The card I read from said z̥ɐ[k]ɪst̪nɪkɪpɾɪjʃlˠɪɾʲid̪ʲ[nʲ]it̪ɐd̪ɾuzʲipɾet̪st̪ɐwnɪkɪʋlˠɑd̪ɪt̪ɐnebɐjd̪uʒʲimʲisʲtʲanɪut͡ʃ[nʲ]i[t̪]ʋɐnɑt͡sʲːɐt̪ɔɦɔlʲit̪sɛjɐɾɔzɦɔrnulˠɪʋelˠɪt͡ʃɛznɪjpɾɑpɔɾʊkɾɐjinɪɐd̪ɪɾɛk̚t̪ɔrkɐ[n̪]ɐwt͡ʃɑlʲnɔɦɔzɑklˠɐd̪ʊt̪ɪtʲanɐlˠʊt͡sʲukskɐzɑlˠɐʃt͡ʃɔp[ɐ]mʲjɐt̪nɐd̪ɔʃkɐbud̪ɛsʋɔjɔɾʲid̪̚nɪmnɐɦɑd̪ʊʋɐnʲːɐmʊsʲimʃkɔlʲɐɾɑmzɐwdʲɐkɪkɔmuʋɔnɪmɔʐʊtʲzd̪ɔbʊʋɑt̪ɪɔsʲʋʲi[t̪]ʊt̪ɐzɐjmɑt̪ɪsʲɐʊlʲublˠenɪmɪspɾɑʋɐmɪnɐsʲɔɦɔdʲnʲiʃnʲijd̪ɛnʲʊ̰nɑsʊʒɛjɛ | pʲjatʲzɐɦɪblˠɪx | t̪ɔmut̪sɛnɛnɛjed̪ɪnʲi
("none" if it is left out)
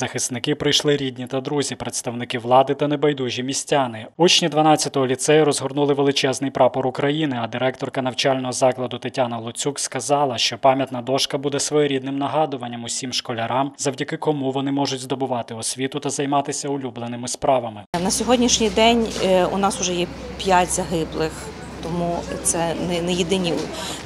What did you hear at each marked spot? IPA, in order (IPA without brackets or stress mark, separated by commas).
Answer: x, nʲ, nʲ, d̪, n̪, ɑ, t̪